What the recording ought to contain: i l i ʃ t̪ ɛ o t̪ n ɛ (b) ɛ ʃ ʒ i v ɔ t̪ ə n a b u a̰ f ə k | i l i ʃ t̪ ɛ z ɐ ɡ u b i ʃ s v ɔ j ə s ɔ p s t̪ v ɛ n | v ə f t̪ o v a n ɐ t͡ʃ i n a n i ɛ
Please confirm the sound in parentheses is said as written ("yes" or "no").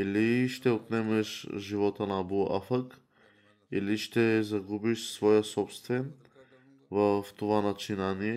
no